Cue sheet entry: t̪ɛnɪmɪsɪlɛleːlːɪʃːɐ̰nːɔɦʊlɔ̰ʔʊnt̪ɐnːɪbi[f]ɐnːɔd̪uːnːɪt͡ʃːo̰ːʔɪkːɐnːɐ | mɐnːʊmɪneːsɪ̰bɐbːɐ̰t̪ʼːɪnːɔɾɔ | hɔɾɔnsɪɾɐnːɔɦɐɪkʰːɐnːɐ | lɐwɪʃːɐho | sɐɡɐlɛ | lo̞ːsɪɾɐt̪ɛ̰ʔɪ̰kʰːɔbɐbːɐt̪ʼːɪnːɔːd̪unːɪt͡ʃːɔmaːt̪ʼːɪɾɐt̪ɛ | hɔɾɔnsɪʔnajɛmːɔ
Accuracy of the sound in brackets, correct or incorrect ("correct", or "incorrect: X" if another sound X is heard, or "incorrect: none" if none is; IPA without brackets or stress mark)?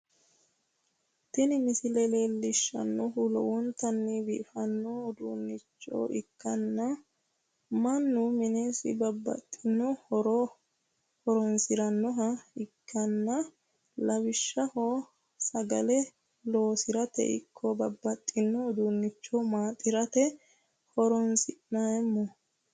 correct